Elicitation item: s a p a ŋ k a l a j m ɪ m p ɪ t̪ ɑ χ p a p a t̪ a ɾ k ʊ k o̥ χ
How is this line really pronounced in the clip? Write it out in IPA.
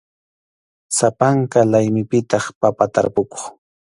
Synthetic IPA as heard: s a p a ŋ k a l a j m ɪ p ɪ t̪ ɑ χ p a p a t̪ a ɾ p ʊ k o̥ χ

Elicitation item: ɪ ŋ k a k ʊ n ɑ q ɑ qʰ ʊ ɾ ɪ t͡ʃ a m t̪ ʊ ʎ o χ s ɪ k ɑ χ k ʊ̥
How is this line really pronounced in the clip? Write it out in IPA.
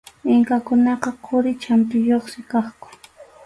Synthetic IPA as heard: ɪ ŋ k a k ʊ n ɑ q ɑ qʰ ʊ ɾ ɪ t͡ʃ a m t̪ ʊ j o χ s ɪ k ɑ χ k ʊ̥

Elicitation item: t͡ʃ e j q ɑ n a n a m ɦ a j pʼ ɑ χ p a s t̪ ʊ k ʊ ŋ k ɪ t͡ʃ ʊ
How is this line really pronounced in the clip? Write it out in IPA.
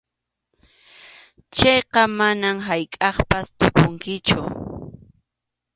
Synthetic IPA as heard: t͡ʃ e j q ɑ m a n a m ɦ a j kʼ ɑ χ p a s t̪ ʊ k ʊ ŋ k ɪ t͡ʃ ʊ

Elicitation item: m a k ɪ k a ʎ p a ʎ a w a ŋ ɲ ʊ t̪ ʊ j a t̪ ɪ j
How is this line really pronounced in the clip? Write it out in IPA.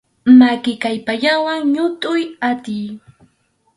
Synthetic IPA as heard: m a k ɪ k a j p a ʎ a w a ŋ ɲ ʊ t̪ ʊ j a t̪ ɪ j

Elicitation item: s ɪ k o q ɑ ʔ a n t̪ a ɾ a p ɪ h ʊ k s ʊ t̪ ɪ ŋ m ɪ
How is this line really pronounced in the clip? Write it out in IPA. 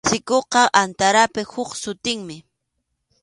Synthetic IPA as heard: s ɪ k o q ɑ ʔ a n t̪ a ɾ a p ɪ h ʊ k s ʊ t̪ ɪ ŋ m ɪ

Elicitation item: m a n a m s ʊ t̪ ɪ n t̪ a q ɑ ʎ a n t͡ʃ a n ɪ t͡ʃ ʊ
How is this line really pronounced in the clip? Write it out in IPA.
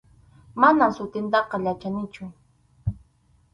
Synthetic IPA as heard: m a n a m s ʊ t̪ ɪ n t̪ ɑ q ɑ ʎ a t͡ʃ a n ɪ t͡ʃ ʊ

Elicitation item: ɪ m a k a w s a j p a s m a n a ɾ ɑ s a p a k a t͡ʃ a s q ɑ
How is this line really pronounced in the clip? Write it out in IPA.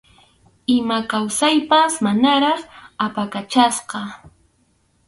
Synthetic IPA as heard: ɪ m a k a w s a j p a s m a n a ɾ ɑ χ a p a k a t͡ʃ a s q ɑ

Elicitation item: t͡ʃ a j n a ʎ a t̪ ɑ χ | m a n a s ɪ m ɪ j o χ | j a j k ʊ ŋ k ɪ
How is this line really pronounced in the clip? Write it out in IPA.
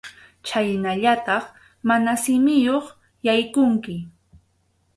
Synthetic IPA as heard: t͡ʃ a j n a ʎ a t̪ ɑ χ | m a n a s ɪ m ɪ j o χ | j a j k ʊ ŋ k ɪ

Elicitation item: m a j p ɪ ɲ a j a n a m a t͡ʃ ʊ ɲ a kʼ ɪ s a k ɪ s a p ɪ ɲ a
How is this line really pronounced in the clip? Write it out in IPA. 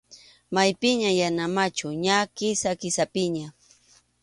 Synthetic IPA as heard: m a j p ɪ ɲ a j a n a m a t͡ʃ ʊ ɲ a k ɪ s a k ɪ s a p ɪ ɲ a

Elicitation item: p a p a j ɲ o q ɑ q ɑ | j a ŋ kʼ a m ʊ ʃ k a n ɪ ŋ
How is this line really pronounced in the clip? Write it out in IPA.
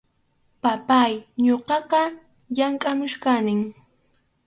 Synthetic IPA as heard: p a p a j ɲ o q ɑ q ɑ | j a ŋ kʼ a m ʊ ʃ k a n ɪ ŋ

